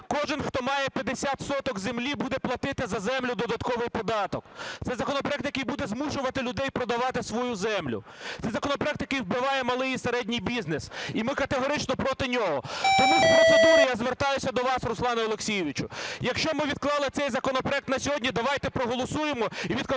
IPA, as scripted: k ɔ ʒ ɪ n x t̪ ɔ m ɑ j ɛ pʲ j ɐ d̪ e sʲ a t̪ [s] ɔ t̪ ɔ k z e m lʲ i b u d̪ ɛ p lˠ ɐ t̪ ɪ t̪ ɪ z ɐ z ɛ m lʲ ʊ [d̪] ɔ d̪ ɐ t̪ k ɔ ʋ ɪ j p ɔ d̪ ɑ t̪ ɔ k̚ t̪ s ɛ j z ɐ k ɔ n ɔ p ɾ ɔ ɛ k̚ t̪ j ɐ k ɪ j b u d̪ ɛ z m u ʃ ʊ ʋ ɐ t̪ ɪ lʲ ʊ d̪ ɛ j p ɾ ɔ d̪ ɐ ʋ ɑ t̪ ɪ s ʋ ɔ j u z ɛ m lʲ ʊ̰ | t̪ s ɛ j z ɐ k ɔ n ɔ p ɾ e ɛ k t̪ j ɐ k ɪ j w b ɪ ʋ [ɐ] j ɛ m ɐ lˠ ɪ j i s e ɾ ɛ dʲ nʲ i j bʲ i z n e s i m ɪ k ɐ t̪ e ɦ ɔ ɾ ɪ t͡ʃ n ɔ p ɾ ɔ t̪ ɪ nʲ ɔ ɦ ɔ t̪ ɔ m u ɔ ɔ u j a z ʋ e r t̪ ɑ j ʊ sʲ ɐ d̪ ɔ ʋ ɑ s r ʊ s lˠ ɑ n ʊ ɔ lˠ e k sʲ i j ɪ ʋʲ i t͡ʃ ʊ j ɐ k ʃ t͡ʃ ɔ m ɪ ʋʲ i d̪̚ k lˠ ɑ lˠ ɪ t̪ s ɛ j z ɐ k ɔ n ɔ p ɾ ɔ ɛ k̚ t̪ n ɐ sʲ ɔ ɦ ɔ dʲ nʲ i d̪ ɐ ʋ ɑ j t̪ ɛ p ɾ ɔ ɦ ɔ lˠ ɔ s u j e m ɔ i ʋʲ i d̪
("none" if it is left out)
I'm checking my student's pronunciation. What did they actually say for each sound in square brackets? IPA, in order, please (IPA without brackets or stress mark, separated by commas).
s, d̪, ɑ